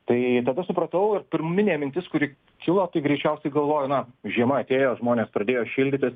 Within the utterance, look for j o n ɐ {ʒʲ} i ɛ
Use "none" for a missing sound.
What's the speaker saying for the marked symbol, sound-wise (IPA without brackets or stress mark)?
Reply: ʒʲ